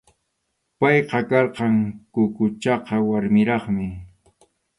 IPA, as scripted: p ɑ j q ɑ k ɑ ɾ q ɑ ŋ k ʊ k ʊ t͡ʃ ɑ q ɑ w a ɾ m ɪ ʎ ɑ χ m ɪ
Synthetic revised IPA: p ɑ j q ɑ k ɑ ɾ q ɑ ŋ k ʊ k ʊ t͡ʃ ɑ q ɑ w a ɾ m ɪ ɾ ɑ χ m ɪ